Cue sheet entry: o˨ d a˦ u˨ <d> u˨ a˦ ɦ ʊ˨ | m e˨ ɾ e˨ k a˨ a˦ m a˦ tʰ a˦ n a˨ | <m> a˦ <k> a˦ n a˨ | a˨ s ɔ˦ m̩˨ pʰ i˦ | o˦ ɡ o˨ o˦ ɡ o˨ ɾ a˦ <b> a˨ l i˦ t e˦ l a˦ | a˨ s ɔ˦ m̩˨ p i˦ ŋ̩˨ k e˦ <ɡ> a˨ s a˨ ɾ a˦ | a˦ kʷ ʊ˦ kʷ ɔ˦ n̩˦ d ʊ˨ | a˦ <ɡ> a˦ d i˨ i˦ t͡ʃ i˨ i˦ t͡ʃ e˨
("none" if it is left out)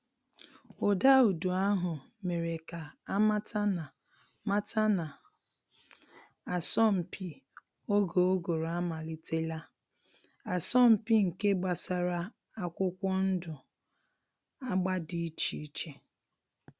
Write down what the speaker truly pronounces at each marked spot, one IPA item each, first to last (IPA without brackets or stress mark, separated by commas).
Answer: d, m, t, m, ɡ͡b, ɡ͡b